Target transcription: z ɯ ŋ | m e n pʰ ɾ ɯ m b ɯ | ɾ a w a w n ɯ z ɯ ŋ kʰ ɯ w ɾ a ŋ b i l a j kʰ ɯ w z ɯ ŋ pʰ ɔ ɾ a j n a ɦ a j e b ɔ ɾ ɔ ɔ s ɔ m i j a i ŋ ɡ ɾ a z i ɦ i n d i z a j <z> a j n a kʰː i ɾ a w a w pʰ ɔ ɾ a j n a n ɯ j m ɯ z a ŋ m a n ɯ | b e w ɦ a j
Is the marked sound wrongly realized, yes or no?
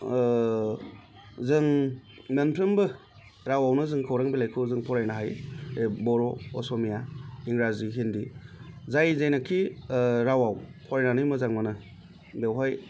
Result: no